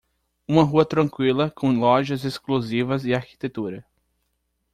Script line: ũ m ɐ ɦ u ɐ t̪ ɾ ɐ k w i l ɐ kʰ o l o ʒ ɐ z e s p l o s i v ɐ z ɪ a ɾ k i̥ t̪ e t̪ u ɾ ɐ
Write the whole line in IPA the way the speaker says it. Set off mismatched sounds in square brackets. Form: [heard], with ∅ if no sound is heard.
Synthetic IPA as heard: ũ m ɐ ɦ u ɐ t̪ ɾ [ɐ̃] k w i l ɐ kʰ [õ] l [ɔ] ʒ ɐ z e s [k] l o [z] i v ɐ z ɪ a ɾ k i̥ t̪ e t̪ u ɾ ɐ